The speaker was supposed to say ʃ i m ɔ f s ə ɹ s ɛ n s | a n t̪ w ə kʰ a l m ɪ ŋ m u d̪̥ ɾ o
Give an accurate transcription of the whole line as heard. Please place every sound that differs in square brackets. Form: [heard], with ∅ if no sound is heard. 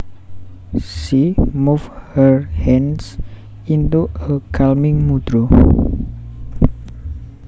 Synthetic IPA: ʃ i m [u] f [h] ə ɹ [h] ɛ n s | [i] n t̪ [u] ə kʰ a l m ɪ ŋ m u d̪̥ ɾ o